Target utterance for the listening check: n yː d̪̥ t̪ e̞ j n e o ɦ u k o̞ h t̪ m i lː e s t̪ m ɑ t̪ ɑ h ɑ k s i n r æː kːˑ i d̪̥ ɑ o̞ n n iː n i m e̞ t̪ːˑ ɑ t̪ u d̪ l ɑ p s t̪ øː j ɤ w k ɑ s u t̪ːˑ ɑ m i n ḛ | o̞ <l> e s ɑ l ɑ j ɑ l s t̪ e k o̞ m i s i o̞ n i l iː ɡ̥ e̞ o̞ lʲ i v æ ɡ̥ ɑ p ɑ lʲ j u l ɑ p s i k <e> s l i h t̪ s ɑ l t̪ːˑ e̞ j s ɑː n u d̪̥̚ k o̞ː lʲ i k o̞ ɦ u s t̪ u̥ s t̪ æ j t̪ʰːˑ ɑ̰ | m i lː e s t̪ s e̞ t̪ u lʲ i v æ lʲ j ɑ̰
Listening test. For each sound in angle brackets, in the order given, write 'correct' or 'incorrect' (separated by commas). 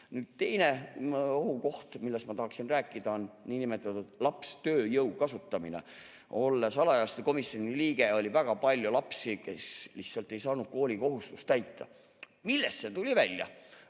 incorrect, correct